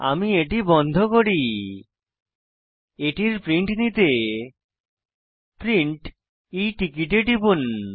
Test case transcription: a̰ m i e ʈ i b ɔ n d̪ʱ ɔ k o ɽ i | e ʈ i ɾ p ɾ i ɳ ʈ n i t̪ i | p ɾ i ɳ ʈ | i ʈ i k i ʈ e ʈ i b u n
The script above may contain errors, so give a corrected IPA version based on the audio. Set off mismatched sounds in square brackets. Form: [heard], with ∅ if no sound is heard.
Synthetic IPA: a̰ m i e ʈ i b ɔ n d̪ʱ [o] k o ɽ i | e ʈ i ɾ p ɾ i ɳ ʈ n i t̪ [e] | p ɾ i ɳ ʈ | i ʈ i k i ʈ e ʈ i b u n